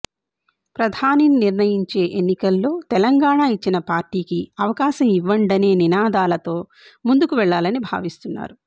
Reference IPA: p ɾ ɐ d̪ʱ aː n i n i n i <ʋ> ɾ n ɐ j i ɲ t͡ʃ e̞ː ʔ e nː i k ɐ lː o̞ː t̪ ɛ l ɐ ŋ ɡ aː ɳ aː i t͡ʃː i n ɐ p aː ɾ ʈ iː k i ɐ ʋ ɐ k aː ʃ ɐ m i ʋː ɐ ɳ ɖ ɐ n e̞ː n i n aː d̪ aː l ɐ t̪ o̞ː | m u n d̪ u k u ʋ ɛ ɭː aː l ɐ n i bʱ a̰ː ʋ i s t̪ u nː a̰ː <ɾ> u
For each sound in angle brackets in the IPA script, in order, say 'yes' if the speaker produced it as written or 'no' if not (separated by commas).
no, yes